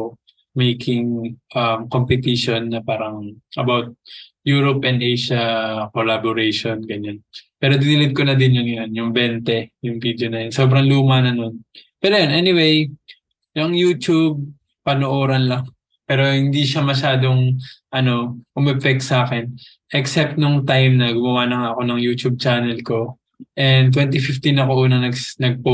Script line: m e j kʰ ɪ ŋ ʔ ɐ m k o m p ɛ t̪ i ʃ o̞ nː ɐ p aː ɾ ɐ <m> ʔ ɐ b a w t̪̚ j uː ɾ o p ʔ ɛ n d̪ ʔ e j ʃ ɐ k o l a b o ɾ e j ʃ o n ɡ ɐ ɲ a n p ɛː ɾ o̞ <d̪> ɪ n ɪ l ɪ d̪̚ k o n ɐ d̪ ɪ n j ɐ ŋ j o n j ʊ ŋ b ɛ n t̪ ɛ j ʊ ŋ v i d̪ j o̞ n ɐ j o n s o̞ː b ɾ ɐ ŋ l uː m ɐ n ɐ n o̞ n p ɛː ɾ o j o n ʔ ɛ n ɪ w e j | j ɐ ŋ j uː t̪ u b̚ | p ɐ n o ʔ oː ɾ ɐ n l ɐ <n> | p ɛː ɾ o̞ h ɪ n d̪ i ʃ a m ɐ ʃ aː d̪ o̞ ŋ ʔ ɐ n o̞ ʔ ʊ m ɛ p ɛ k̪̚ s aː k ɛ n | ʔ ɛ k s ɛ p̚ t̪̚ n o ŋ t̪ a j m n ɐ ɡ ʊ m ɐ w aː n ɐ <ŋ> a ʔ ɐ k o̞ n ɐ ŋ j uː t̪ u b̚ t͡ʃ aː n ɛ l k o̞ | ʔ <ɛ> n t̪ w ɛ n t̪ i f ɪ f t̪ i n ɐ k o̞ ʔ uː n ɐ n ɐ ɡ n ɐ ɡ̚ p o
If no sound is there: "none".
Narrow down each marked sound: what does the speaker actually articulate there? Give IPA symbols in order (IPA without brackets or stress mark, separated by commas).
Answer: ŋ, d̪, ŋ, ŋ, ɛ